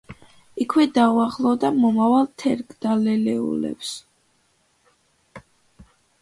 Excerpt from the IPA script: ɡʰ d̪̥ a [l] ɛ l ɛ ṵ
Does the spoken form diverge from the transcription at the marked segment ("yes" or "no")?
no